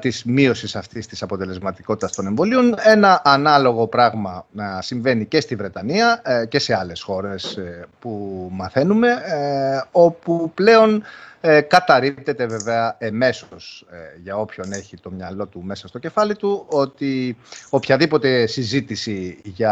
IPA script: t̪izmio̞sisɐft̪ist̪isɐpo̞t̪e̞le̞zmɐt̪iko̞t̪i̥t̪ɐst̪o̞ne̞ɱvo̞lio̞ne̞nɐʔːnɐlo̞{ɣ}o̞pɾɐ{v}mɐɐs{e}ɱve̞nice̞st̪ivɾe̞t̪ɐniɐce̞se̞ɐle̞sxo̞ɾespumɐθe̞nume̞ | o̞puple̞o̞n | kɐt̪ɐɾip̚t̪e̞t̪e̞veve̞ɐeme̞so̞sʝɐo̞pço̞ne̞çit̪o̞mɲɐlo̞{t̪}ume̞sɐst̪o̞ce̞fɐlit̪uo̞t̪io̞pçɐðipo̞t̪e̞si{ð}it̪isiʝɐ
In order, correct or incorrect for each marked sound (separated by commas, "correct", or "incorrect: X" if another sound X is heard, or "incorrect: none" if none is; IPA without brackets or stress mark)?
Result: correct, incorrect: ɣ, incorrect: i, correct, incorrect: z